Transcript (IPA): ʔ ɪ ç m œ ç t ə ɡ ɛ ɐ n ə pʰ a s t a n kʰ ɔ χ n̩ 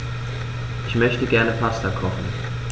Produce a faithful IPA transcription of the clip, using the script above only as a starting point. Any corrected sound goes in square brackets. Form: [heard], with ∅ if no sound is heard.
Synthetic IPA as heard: ʔ ɪ ç m œ ç t ə ɡ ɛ ɐ n ə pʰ a s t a [∅] kʰ ɔ χ n̩